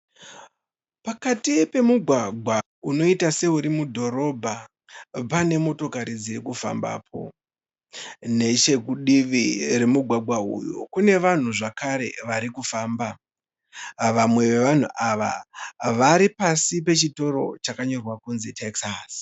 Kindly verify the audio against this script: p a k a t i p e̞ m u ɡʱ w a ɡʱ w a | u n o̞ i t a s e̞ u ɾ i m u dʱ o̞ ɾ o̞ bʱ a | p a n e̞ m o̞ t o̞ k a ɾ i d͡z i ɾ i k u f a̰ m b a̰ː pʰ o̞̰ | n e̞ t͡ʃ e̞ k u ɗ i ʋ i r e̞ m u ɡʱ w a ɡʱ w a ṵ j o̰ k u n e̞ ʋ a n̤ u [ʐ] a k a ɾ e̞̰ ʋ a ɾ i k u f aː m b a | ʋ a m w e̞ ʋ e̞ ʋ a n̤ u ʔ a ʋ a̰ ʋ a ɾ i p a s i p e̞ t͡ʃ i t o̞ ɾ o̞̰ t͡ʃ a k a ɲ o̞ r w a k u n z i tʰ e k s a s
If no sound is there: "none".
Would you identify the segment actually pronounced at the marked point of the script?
ʐ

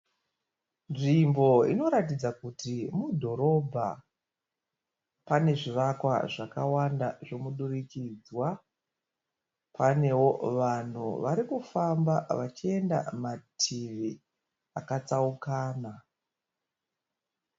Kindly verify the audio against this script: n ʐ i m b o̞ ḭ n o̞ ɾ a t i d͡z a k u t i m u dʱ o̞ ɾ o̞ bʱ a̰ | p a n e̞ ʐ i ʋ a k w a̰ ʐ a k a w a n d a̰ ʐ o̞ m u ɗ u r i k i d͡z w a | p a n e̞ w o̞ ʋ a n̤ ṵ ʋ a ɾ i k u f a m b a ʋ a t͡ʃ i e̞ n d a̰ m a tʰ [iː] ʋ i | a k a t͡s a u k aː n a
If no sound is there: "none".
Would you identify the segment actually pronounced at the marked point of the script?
i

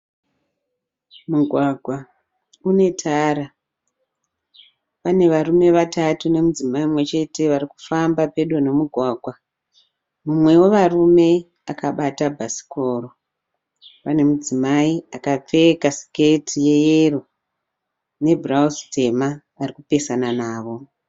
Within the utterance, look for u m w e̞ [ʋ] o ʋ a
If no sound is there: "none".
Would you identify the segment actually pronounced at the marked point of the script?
w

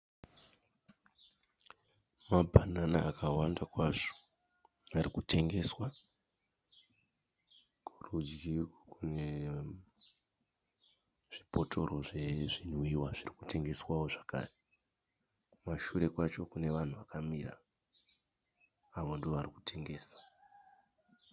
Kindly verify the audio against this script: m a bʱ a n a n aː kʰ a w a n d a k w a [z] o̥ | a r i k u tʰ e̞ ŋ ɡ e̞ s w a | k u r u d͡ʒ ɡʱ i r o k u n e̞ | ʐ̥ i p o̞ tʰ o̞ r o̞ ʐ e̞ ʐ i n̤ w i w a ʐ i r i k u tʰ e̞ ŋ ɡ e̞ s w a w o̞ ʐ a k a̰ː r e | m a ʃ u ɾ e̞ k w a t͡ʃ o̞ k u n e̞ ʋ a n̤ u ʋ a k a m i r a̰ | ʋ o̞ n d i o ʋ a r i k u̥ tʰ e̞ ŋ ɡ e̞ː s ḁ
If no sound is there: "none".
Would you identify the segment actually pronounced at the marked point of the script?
ʐ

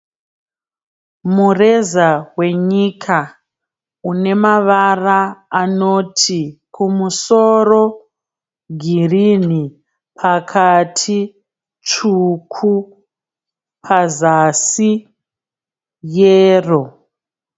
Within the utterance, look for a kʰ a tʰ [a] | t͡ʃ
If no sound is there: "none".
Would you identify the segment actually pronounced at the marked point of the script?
i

